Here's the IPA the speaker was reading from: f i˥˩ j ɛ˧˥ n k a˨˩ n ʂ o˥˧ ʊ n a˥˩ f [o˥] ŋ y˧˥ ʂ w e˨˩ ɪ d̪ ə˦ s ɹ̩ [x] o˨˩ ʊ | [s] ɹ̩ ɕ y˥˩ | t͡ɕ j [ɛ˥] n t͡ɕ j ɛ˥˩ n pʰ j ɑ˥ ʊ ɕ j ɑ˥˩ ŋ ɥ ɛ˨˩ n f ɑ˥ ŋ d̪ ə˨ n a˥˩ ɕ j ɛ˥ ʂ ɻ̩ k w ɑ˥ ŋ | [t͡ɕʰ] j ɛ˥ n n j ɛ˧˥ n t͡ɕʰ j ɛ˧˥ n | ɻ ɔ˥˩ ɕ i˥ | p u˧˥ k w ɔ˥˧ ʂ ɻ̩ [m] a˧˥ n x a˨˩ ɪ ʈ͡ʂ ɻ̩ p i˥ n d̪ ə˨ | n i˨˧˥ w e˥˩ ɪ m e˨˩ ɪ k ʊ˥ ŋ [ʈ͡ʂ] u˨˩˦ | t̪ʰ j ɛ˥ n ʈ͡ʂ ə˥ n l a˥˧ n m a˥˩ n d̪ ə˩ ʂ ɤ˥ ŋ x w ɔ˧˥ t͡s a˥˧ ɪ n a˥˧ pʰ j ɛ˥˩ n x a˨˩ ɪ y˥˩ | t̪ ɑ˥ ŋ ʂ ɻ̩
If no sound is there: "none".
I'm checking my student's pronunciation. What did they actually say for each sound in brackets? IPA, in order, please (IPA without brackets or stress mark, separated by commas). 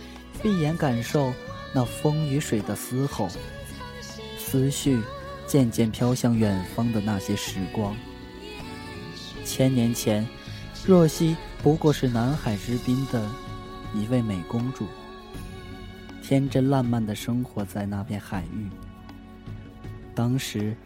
ɤ˥, x, s, ɛ˥˧, t͡ɕʰ, n, ʈ͡ʂ